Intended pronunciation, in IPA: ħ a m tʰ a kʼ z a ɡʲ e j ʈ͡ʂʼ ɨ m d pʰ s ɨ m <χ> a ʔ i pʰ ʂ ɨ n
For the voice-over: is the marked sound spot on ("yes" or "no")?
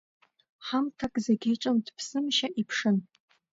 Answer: no